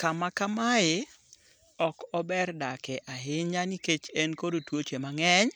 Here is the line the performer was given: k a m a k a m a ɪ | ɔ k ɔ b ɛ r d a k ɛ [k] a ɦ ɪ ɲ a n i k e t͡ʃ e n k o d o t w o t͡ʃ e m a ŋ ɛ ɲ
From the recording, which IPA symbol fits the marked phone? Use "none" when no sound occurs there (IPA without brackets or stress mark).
ʔ